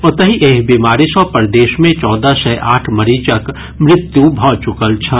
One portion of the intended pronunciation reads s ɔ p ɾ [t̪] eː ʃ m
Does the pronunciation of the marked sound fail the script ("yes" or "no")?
yes